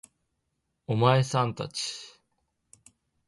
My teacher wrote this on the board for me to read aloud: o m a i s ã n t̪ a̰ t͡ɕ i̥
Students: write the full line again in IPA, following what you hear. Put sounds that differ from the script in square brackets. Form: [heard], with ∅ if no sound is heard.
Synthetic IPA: o m a [e] s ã n t̪ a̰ t͡ɕ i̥